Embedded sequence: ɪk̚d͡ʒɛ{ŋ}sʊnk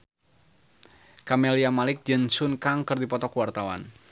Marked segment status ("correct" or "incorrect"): incorrect